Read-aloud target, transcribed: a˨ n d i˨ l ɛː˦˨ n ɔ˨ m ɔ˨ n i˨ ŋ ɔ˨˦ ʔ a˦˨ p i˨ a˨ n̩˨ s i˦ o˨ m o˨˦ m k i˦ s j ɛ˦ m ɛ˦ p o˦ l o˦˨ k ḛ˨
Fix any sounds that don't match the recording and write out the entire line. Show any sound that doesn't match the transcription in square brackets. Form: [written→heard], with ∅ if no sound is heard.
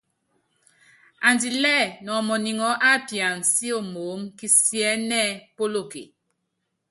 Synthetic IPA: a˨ n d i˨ l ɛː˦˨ n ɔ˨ m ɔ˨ n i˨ ŋ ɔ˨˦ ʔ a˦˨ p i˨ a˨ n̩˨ s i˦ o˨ m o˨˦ m k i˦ s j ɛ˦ [m→n] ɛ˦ p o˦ l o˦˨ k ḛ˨